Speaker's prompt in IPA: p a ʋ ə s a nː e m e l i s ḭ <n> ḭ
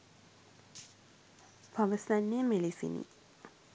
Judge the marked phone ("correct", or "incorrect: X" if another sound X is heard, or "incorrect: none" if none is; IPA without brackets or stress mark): correct